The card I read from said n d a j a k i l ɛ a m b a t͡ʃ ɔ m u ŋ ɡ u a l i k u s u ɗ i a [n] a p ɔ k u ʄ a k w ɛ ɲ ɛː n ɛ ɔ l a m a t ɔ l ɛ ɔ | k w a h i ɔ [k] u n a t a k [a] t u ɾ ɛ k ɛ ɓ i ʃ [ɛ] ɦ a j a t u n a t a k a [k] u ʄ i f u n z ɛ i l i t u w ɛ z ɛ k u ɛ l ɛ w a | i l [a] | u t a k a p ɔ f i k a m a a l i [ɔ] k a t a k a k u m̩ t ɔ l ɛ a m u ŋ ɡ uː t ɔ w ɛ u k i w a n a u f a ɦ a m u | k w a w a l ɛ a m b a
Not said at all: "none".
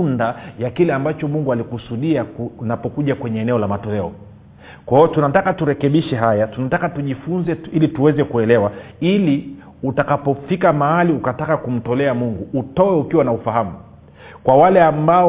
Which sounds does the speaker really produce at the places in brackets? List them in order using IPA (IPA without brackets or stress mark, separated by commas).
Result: n, t, a, ɛ, t, i, u